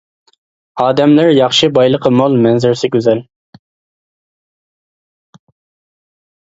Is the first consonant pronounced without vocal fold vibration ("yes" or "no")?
no